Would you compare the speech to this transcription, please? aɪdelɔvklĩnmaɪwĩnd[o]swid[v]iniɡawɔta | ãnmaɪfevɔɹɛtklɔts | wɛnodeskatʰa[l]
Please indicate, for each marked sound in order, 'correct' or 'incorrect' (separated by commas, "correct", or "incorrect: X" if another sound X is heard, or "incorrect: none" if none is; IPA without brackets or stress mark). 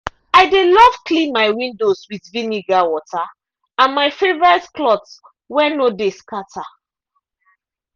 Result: correct, correct, incorrect: none